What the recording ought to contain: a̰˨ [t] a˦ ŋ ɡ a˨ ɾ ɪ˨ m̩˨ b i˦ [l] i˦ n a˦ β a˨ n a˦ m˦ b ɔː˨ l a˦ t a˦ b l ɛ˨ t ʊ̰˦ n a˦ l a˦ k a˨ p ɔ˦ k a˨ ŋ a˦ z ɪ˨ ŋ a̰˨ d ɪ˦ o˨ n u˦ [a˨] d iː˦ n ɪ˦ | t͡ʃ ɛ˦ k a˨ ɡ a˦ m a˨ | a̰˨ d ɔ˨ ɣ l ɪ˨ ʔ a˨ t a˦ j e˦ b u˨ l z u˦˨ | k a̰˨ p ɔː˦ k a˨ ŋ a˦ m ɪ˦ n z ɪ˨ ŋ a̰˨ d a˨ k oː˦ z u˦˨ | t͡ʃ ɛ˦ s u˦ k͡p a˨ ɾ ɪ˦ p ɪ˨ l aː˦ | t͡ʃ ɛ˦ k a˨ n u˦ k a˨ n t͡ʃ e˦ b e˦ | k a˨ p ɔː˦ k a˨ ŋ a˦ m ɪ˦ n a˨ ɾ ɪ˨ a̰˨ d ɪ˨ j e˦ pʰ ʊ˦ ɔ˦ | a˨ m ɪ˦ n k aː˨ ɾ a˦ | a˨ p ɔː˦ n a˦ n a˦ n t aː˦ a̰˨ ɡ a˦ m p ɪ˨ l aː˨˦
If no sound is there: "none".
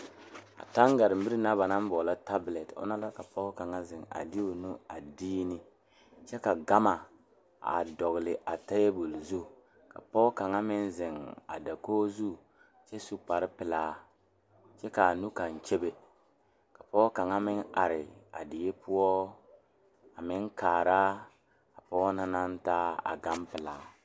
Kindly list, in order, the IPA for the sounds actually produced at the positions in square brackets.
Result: t, ɾ, a˨

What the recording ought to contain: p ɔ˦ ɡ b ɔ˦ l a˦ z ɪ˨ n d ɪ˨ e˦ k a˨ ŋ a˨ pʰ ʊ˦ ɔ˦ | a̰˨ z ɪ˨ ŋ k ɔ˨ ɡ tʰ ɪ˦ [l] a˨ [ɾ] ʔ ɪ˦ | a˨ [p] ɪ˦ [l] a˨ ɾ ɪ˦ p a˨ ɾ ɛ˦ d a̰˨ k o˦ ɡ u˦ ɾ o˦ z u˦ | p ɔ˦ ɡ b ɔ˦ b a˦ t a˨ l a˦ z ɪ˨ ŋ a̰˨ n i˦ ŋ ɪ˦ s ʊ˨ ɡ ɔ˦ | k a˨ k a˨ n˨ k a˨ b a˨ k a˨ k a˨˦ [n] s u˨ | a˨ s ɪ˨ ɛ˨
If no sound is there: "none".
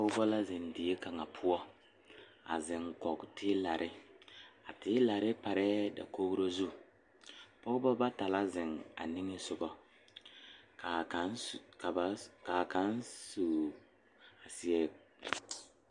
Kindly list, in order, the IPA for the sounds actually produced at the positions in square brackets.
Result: l, ɾ, t, l, n

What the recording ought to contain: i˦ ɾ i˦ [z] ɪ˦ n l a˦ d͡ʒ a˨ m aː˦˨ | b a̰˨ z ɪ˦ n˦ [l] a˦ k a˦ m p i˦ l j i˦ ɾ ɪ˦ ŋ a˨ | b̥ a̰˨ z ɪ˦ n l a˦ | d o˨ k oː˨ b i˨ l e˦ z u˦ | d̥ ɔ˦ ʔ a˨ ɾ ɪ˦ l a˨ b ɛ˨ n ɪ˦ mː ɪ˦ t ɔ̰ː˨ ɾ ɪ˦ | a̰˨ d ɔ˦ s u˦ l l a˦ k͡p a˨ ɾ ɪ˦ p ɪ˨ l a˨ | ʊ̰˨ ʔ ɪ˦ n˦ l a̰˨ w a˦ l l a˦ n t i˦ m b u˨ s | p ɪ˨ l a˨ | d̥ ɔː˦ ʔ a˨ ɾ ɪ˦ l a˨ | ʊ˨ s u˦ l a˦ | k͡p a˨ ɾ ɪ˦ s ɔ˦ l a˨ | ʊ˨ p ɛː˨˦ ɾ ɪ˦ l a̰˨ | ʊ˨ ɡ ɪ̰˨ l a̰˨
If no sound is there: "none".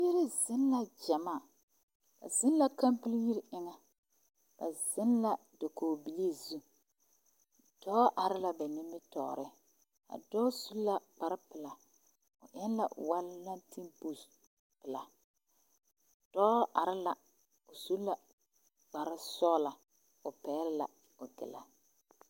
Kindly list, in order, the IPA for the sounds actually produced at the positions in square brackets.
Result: z, l

